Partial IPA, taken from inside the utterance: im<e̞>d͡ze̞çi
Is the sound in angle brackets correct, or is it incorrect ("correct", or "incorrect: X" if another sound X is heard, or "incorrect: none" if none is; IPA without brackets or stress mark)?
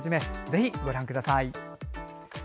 correct